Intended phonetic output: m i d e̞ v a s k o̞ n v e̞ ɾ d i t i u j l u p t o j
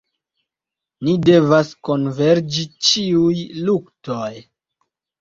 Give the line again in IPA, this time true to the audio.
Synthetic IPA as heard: n i d e̞ v a s k o̞ n v e̞ ɾ d͡ʒ i t͡ʃ i u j l u k t o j

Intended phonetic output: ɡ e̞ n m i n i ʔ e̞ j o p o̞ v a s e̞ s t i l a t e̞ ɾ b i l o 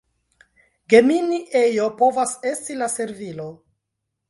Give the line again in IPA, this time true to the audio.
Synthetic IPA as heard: ɡ e̞ m i n i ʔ e̞ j o p o̞ v a s e̞ s t i l a s e̞ ɾ v i l o

